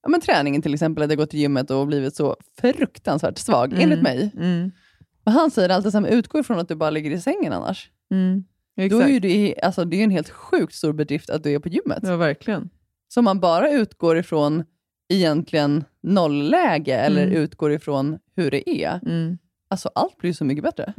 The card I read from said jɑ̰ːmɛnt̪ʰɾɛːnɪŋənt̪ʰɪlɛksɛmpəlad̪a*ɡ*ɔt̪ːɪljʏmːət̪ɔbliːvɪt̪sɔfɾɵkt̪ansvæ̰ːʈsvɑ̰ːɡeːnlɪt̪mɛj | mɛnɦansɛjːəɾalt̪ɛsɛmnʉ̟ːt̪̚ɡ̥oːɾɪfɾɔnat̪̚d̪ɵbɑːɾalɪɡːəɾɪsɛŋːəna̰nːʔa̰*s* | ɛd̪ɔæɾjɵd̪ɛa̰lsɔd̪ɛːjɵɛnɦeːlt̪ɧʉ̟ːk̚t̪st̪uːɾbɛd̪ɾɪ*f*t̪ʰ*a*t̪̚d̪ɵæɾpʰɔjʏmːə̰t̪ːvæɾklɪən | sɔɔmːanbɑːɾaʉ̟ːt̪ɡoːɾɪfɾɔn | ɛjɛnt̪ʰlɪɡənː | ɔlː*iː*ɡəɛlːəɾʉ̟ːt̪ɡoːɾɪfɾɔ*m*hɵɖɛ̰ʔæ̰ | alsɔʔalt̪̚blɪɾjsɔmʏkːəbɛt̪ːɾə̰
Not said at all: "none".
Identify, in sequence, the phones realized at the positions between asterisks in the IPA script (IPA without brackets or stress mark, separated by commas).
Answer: ɡ, ʂ, f, a, ɛː, n